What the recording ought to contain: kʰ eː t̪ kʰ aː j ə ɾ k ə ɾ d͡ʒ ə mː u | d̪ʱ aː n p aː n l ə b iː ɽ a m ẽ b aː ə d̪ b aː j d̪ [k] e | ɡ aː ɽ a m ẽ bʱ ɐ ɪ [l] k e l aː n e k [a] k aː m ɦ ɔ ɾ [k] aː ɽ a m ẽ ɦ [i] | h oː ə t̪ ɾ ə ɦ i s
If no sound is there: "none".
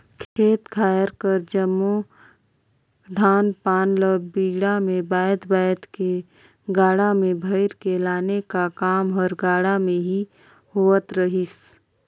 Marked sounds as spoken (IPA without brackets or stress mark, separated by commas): k, ɾ, a, ɡ, i